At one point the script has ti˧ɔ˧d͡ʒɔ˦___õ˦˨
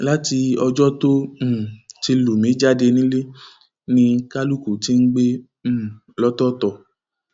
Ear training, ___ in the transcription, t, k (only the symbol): t